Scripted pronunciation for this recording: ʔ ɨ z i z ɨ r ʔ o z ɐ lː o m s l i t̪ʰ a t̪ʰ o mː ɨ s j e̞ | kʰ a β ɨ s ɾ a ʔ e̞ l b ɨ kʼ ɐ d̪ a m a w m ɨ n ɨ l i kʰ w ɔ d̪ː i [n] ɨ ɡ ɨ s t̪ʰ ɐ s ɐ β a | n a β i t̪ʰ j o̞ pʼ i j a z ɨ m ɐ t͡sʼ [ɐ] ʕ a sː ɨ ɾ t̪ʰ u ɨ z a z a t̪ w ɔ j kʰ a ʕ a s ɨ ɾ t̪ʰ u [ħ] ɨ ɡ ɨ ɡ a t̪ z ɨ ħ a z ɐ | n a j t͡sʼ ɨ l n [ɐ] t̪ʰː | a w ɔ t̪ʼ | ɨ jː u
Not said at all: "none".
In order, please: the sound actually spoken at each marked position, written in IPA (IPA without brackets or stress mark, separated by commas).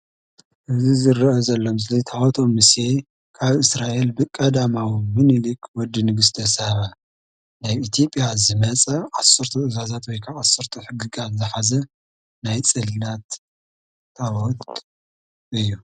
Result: n, ɐ, ħ, a